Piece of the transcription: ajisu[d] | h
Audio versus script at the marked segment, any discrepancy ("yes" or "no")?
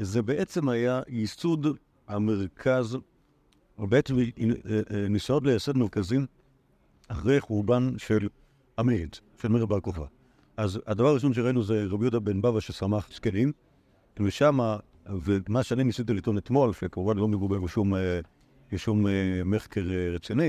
no